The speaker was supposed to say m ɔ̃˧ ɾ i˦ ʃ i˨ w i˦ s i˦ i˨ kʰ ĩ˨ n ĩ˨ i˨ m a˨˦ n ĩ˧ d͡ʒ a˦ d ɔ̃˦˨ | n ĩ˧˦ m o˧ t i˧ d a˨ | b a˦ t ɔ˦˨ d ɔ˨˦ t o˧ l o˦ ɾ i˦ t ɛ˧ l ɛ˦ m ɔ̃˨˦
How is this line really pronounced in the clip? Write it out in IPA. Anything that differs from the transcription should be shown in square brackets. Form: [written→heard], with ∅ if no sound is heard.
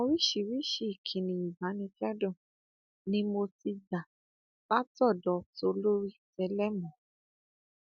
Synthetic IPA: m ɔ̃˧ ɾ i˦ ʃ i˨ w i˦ [s→ʃ] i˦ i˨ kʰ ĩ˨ n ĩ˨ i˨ [m→b] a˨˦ n ĩ˧ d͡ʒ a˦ d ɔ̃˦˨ | n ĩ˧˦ m o˧ t i˧ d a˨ | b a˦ t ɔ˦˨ d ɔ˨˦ t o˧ l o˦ ɾ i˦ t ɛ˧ l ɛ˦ m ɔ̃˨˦